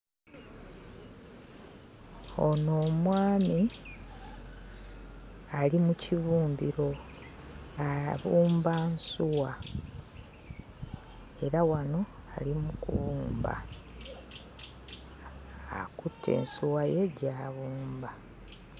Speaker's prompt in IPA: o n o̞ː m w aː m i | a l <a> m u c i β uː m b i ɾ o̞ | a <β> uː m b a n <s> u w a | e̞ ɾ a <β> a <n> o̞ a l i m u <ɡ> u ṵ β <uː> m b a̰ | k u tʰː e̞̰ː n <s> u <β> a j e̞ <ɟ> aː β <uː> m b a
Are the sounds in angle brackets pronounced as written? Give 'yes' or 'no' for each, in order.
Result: no, yes, yes, no, yes, no, yes, yes, no, yes, yes

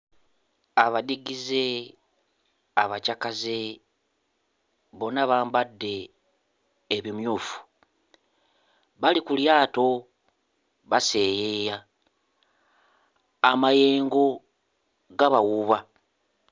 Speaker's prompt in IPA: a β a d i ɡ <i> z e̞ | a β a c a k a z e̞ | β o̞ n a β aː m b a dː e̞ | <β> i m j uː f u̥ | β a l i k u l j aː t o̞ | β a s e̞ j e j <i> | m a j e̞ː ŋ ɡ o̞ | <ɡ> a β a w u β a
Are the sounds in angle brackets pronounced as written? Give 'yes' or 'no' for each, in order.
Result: yes, yes, no, yes

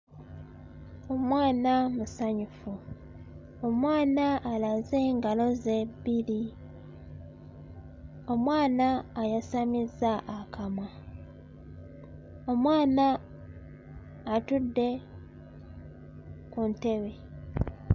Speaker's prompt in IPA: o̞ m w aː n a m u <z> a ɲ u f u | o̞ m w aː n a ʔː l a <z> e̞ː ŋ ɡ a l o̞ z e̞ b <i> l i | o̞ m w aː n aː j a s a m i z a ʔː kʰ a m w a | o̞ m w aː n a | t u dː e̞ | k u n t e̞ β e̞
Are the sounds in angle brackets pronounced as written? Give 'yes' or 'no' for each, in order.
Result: no, yes, yes

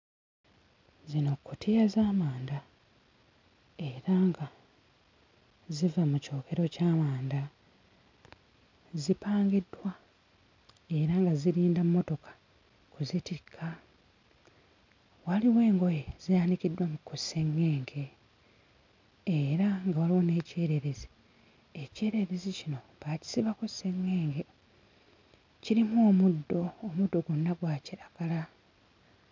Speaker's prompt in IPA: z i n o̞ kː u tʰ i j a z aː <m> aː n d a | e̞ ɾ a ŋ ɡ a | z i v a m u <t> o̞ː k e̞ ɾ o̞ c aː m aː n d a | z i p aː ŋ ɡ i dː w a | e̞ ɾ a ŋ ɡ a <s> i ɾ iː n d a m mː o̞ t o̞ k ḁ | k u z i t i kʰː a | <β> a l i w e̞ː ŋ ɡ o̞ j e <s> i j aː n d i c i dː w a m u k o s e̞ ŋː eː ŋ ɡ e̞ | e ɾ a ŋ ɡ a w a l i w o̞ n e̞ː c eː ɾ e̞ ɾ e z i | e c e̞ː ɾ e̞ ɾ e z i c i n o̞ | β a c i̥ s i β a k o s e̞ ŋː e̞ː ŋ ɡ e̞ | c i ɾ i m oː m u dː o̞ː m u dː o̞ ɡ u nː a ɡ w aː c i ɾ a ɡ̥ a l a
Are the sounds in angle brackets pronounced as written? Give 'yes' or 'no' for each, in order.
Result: yes, no, no, no, no

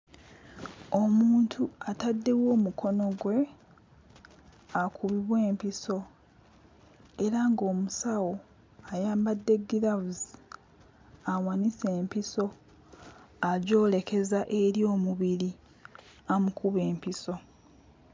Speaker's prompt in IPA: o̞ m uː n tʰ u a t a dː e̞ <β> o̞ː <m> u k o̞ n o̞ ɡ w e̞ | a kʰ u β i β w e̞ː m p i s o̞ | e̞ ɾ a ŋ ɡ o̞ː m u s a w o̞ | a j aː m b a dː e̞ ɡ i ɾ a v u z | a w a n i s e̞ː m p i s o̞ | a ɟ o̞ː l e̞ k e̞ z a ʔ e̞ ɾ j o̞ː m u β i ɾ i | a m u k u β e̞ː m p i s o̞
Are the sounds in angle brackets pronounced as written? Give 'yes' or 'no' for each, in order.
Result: no, yes

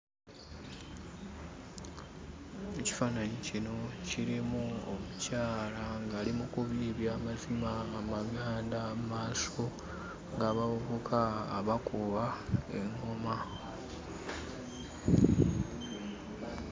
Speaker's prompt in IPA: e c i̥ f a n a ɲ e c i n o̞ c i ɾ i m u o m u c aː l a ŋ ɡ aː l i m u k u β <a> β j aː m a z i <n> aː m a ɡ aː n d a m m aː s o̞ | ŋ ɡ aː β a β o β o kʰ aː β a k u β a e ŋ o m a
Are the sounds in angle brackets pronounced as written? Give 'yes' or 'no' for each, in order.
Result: no, no

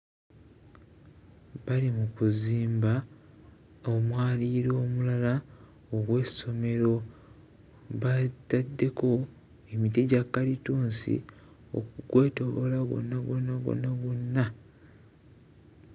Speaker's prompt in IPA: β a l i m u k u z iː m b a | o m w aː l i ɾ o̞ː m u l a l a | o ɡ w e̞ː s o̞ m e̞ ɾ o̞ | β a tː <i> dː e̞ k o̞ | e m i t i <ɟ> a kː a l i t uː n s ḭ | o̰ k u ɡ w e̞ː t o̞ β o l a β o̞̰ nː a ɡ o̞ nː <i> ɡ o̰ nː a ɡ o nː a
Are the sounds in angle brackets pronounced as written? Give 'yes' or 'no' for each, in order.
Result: no, yes, no

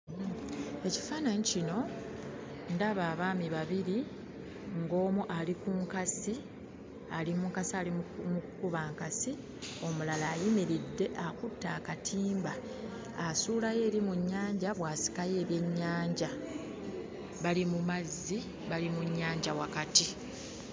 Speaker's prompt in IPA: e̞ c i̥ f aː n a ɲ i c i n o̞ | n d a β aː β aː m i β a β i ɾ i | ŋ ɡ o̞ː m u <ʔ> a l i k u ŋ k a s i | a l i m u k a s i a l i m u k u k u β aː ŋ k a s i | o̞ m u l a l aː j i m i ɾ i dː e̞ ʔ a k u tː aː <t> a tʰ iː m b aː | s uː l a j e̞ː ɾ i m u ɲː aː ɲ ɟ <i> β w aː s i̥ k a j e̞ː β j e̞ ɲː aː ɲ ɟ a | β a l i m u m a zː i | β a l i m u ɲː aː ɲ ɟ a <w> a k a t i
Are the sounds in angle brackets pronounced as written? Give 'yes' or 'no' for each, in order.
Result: yes, no, no, yes

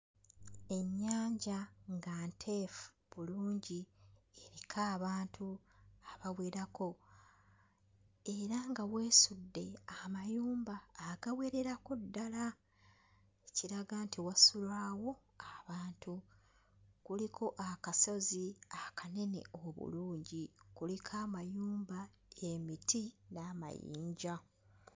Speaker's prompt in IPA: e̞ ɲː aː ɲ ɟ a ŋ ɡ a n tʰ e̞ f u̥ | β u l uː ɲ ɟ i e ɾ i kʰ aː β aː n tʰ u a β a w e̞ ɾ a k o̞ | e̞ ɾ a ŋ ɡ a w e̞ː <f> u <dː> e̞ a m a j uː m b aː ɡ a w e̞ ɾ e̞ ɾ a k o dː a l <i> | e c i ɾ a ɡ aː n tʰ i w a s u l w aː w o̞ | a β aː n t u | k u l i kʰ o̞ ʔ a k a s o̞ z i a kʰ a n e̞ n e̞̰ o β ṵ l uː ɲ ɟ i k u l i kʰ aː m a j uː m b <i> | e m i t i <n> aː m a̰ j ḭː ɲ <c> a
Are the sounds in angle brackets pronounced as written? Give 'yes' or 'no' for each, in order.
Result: no, yes, no, no, yes, no

